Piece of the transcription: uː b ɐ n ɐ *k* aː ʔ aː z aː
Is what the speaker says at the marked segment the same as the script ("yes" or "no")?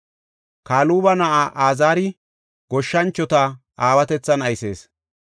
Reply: no